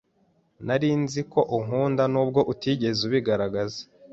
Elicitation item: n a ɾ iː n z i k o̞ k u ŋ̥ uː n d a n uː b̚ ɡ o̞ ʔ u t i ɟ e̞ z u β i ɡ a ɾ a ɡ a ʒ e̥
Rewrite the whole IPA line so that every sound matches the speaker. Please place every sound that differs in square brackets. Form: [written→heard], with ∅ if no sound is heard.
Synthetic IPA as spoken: n a ɾ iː n z i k o̞ [k→ʔ] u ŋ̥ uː n d a n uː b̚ ɡ o̞ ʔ u t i ɟ e̞ z u β i ɡ a ɾ a ɡ a [ʒ→z] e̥